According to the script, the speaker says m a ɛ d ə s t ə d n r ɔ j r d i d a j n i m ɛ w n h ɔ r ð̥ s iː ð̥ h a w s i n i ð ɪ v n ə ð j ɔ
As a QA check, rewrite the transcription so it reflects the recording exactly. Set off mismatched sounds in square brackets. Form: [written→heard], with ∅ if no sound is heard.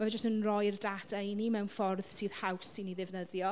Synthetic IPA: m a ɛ [d→d͡ʒ] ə s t ə [d→∅] n r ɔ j r d [i→a] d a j n i m ɛ w n [h→f] ɔ r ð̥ s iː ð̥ h a w s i n i ð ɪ v n ə ð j ɔ